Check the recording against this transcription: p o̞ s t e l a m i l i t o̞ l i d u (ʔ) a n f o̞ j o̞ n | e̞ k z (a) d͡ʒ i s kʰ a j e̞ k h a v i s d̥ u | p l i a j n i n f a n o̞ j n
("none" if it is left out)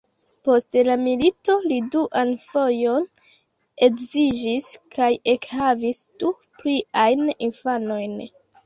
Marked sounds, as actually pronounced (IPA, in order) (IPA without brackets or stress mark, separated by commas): ʔ, i